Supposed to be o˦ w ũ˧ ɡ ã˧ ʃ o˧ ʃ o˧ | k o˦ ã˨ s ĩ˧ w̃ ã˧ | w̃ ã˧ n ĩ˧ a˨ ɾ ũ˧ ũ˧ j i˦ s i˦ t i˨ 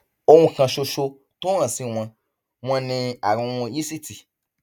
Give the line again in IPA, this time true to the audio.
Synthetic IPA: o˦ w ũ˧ k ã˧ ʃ o˧ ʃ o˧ | t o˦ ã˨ s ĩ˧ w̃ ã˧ | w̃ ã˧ n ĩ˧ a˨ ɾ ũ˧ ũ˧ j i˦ s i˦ t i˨